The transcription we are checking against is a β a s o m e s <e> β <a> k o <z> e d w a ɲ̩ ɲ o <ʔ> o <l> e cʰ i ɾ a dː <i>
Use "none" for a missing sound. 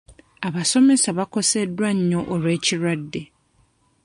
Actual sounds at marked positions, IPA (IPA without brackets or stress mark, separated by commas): a, a, s, ʔ, ɾ, e